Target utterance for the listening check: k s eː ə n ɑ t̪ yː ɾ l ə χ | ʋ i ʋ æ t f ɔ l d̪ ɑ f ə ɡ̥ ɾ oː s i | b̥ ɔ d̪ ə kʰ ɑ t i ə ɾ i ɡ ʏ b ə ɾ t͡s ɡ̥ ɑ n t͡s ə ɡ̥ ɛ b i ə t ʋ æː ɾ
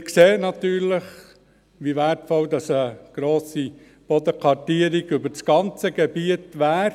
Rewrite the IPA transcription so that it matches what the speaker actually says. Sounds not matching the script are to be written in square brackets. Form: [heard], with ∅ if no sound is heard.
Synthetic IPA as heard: k s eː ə n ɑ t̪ yː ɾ l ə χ | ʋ i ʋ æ t f ɔ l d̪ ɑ [s] ə ɡ̥ ɾ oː s i | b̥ ɔ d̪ ə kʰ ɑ t i ə ɾ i ɡ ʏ b ə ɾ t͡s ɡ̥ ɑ n t͡s ə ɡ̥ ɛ b i ə t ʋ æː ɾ

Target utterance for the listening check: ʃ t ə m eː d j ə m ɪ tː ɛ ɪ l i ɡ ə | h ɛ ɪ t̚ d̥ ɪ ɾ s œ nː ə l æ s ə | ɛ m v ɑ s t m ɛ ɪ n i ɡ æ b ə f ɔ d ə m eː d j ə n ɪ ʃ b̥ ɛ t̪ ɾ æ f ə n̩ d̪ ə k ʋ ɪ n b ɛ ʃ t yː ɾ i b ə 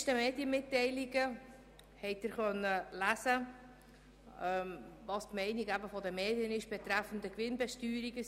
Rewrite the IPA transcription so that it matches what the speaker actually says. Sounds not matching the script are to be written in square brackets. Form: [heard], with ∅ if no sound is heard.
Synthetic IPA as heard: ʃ t ə m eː d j ə m ɪ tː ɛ ɪ l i ɡ ə | h ɛ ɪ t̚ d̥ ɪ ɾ [χ] œ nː ə l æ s ə | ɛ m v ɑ s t m ɛ ɪ n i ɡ æ b ə f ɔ d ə m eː d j ə n ɪ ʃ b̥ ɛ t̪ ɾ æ f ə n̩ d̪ ə k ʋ ɪ n b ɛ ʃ t yː ɾ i [ɡ] ə

